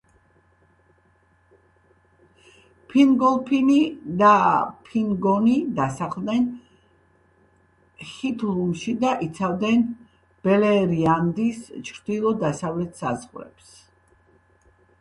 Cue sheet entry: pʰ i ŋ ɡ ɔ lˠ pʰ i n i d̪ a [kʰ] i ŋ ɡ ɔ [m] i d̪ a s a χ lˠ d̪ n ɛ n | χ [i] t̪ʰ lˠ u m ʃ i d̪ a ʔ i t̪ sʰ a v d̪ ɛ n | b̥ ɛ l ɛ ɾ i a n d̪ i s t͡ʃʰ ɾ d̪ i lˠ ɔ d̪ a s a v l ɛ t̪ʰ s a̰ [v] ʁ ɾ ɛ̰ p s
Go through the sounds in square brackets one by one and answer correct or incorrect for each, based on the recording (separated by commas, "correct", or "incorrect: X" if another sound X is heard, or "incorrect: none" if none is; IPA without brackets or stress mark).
incorrect: pʰ, incorrect: n, correct, incorrect: z